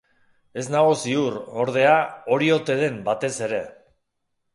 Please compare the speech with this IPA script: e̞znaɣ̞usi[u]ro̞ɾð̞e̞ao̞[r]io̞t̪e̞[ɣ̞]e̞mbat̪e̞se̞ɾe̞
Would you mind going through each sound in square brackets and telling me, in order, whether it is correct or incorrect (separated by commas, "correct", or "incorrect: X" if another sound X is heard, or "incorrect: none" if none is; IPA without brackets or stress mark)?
correct, incorrect: ɾ, incorrect: ð̞